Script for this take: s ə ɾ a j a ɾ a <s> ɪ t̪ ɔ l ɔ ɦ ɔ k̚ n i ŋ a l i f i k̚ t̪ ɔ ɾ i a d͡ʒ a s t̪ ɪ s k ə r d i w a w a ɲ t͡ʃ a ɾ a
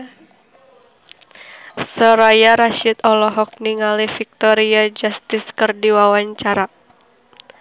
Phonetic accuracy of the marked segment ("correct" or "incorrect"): incorrect